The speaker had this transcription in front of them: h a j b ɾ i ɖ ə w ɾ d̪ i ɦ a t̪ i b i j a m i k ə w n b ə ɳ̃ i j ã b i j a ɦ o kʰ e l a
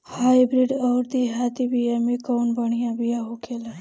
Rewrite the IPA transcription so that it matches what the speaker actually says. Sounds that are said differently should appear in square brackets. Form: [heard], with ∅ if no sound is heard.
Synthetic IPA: h a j b ɾ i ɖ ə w ɾ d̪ i ɦ a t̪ i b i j a m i k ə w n b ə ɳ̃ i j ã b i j a ɦ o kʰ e l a